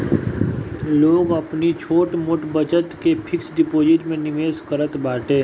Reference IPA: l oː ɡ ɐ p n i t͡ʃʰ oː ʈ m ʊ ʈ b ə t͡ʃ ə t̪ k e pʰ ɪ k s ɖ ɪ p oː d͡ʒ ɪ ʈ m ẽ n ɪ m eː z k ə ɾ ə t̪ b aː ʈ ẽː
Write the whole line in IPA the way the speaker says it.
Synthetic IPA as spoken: l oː ɡ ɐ p n i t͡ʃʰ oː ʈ m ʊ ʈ b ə t͡ʃ ə t̪ k e pʰ ɪ k s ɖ ɪ p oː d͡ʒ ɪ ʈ m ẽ n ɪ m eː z k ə ɾ ə t̪ b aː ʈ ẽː